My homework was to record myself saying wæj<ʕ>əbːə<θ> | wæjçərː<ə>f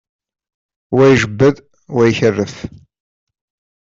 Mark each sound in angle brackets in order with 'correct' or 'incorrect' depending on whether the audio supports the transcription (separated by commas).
incorrect, incorrect, correct